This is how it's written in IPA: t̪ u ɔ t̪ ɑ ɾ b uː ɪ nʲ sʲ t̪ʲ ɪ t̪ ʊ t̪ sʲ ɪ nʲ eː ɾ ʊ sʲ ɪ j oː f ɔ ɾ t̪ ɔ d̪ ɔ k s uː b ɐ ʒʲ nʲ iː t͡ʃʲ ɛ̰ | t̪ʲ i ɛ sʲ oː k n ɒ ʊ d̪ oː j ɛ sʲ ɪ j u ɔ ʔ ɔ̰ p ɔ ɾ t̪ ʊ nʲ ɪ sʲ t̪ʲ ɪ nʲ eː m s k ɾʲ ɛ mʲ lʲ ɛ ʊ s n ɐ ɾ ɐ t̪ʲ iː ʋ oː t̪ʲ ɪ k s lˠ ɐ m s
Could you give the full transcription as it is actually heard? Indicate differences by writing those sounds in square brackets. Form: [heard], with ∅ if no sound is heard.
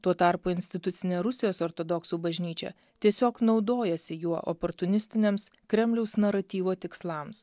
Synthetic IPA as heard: t̪ u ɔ t̪ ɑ ɾ [p] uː ɪ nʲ sʲ t̪ʲ ɪ t̪ ʊ t̪ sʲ ɪ nʲ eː ɾ ʊ sʲ ɪ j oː [s] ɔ ɾ t̪ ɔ d̪ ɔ k s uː b ɐ ʒʲ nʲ iː t͡ʃʲ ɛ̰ | t̪ʲ i ɛ sʲ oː k n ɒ ʊ d̪ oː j ɛ sʲ ɪ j u ɔ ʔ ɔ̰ p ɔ ɾ t̪ ʊ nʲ ɪ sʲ t̪ʲ ɪ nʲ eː m s k ɾʲ ɛ mʲ lʲ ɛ ʊ s n ɐ ɾ ɐ t̪ʲ iː ʋ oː t̪ʲ ɪ k s lˠ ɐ m s